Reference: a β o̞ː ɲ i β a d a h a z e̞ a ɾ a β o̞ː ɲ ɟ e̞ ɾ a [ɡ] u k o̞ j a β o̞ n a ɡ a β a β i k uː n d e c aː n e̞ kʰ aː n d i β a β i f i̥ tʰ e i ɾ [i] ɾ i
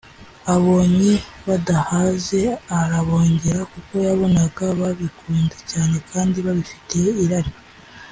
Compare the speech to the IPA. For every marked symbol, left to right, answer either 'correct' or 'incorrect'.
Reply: incorrect, incorrect

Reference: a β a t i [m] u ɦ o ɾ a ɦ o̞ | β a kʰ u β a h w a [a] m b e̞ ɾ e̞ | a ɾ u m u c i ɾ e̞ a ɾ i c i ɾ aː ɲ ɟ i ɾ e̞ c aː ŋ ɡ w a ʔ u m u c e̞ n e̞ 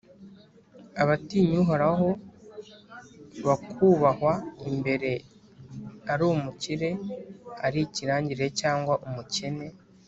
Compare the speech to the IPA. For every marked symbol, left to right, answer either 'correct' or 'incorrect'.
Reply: incorrect, incorrect

